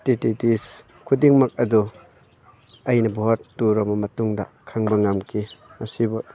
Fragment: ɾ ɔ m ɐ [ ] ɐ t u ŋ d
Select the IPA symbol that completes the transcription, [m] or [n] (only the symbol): m